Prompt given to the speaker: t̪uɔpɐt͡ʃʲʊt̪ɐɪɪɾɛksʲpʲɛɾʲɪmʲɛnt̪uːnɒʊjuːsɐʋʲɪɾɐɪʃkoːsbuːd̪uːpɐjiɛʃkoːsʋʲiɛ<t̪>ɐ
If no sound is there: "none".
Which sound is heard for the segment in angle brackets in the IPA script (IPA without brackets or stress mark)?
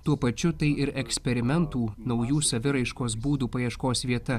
t̪